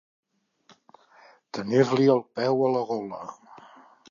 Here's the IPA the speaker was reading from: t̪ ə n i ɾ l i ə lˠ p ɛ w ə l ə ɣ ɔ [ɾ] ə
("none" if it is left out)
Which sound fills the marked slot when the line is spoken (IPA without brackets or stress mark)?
l